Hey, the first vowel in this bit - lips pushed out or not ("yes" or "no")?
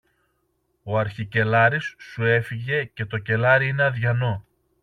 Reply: yes